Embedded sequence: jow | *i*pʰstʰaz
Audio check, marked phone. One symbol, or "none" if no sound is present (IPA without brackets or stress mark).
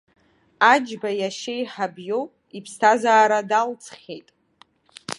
i